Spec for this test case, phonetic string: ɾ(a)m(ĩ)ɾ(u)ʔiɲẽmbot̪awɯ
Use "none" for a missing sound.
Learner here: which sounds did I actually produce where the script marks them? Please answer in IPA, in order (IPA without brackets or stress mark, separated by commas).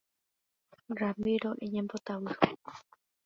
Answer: a, i, o